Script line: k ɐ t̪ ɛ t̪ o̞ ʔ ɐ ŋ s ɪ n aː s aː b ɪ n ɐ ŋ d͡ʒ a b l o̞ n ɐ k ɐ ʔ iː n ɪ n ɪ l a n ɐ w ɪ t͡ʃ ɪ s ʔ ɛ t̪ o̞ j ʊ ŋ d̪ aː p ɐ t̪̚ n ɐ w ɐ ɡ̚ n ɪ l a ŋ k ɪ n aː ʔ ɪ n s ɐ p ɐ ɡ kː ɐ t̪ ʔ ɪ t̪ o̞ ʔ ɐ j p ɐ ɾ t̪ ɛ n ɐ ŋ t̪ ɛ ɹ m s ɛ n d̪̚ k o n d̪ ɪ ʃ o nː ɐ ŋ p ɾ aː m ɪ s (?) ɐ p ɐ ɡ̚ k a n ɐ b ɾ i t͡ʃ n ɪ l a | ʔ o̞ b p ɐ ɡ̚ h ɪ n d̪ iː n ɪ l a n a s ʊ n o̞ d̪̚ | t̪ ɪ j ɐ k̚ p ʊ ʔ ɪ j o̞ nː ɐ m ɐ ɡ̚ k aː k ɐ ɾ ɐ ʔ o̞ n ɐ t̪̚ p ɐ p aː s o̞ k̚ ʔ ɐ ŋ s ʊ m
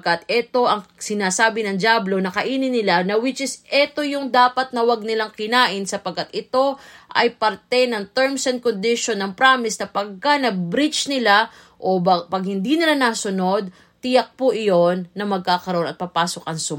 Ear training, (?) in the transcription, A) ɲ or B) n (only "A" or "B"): B